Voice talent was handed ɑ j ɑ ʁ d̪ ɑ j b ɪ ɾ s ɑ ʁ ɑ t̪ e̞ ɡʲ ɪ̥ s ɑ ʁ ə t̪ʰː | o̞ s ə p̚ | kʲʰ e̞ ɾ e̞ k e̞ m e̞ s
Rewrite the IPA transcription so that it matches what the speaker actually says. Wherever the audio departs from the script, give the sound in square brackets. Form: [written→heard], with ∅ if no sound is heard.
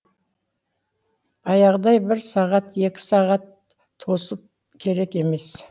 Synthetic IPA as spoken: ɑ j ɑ ʁ d̪ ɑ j b ɪ ɾ s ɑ ʁ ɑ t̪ e̞ [ɡʲ→kʲ] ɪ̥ s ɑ ʁ [ə→ɑ] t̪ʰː | o̞ s ə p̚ | kʲʰ e̞ ɾ e̞ k e̞ m e̞ s